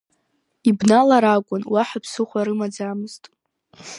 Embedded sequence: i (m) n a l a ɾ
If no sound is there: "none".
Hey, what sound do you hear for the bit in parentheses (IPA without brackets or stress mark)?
b